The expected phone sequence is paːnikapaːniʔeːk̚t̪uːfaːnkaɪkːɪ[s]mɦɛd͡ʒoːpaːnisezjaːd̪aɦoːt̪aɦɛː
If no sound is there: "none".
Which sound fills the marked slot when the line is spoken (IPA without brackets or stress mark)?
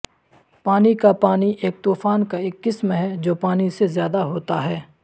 s